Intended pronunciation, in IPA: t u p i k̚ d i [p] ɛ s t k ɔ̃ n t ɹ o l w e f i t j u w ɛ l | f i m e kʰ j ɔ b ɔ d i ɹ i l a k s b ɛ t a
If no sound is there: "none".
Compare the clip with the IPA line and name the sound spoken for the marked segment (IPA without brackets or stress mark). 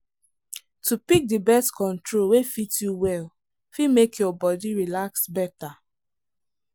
b